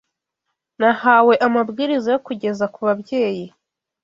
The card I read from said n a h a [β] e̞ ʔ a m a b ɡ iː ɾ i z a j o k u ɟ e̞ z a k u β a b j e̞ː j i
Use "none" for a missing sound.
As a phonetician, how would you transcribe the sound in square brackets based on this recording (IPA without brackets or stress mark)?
w